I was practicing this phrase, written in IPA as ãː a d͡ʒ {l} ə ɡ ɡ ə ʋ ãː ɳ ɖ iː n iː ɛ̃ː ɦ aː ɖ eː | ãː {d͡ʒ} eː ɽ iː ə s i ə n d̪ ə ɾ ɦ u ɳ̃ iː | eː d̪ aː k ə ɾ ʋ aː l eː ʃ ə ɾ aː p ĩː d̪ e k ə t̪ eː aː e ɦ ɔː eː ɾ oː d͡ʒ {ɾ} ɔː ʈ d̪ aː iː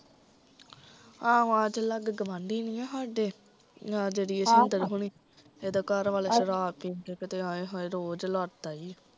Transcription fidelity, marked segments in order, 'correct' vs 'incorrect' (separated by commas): correct, correct, incorrect